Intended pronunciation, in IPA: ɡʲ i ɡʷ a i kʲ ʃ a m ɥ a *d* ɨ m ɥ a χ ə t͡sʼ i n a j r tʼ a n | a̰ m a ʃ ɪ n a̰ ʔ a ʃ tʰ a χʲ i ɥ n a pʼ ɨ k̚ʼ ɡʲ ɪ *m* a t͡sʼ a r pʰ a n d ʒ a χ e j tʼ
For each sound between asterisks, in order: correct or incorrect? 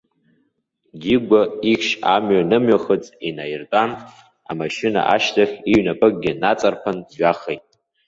incorrect: n, incorrect: n

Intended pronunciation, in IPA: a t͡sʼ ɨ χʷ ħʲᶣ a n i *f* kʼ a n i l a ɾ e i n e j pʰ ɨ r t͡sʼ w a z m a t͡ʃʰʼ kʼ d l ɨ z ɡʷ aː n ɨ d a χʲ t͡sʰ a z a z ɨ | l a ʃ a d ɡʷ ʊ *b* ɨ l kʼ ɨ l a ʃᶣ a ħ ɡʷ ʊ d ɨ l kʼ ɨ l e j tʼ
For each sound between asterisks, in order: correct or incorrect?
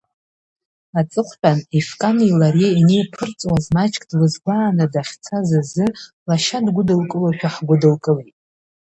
correct, incorrect: d

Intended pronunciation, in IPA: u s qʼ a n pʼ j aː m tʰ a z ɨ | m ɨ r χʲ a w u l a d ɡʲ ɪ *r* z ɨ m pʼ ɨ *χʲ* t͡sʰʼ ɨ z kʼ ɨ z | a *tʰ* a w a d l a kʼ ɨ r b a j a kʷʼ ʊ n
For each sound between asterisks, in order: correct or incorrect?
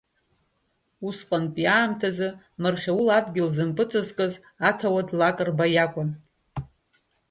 incorrect: l, incorrect: none, correct

